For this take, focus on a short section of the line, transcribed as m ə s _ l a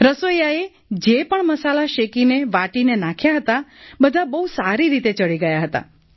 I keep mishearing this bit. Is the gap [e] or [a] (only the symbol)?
a